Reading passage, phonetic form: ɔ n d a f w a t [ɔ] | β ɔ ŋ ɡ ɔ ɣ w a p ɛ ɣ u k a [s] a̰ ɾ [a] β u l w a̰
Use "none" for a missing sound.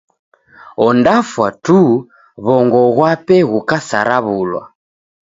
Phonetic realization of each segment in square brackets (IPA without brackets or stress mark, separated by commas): u, s, a